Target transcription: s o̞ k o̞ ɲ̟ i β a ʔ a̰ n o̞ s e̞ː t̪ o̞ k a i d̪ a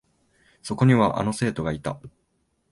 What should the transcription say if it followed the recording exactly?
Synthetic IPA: s o̞ k o̞ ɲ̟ i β a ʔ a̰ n o̞ s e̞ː t̪ o̞ ɡ a i t̪ a